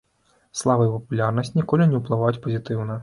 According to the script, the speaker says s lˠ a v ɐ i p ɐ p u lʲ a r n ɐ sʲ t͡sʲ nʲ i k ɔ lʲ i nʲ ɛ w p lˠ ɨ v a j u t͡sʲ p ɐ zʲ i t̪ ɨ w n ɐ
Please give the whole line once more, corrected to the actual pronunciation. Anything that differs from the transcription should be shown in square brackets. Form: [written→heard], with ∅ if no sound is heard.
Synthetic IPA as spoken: s lˠ a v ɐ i p ɐ p u lʲ a r n ɐ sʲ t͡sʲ nʲ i k ɔ lʲ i nʲ ɛ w p lˠ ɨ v a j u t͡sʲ p ɐ zʲ i t̪ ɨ w n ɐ

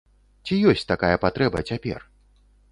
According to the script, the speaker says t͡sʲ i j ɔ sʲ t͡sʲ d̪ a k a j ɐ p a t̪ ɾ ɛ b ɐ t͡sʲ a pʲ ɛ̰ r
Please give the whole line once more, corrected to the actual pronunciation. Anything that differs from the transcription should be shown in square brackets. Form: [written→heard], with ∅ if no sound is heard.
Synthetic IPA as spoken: t͡sʲ i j ɔ sʲ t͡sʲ [d̪→t̪] a k a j ɐ p a t̪ ɾ ɛ b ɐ t͡sʲ a pʲ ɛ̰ r

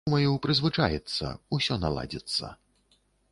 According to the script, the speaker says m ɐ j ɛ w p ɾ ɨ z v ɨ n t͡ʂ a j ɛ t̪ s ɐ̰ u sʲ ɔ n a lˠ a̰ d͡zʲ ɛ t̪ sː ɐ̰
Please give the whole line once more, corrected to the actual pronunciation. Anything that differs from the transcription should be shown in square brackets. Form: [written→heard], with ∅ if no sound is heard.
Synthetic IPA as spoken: m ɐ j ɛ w p ɾ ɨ z v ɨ [n→∅] t͡ʂ a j ɛ t̪ [s→sː] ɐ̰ u sʲ ɔ n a lˠ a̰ d͡zʲ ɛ t̪ sː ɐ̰

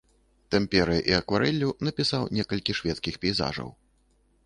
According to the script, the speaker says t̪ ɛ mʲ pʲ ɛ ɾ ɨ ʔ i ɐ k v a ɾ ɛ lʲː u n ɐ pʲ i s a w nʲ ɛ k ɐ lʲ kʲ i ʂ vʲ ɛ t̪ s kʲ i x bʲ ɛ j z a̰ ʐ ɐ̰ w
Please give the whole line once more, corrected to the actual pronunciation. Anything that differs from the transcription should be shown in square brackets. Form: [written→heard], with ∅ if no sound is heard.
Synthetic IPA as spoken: t̪ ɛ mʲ pʲ ɛ ɾ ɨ ʔ i ɐ k v a ɾ ɛ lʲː u n ɐ pʲ i s a w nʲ ɛ k ɐ lʲ kʲ i ʂ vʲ ɛ t̪ s kʲ i x [bʲ→pʲ] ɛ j z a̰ ʐ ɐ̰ w

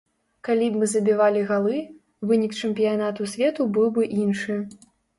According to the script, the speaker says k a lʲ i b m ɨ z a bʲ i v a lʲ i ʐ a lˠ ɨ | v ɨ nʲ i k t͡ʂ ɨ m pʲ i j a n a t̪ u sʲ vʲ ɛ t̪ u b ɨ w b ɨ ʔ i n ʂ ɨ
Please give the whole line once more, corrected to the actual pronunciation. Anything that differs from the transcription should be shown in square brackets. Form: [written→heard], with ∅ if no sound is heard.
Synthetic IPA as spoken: k a lʲ i b m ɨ z [a→ɐ] bʲ i v a lʲ i [ʐ→ɣ] a lˠ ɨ | v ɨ nʲ i k t͡ʂ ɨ m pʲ i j a n a t̪ u sʲ vʲ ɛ t̪ u b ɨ w b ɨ ʔ i n ʂ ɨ

